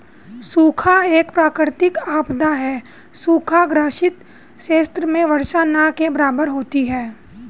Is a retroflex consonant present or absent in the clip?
absent